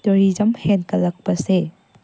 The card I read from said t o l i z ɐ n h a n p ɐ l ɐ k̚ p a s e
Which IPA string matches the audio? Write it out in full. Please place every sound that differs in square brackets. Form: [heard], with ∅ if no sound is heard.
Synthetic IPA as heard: t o [ɾ] i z ɐ [m] h [e] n [k] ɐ l ɐ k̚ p [ɐ] s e